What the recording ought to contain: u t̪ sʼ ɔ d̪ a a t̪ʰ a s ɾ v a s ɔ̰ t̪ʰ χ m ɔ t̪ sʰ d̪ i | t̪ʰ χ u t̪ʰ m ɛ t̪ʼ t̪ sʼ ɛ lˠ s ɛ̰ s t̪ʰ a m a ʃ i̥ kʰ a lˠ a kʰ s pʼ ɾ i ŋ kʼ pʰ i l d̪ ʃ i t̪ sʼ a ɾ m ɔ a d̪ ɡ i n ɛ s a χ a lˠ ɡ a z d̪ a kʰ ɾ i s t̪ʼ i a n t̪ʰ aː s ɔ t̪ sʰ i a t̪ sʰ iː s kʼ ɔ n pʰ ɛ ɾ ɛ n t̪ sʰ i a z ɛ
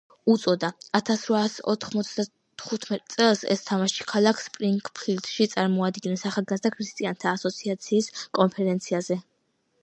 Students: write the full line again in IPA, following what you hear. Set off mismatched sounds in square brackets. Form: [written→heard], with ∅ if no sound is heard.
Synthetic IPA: u t̪ sʼ ɔ d̪ a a t̪ʰ a s ɾ v a s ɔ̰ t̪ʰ χ m ɔ t̪ sʰ d̪ [i→a] | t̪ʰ χ u t̪ʰ m ɛ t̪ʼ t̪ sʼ ɛ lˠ s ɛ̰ s t̪ʰ a m a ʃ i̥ kʰ a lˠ a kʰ s pʼ ɾ i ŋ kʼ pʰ i l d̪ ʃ i t̪ sʼ a ɾ m ɔ a d̪ ɡ i n ɛ s a χ a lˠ ɡ a z d̪ a kʰ ɾ i s t̪ʼ i a n t̪ʰ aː s ɔ t̪ sʰ i a t̪ sʰ iː s kʼ ɔ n pʰ ɛ ɾ ɛ n t̪ sʰ i a z ɛ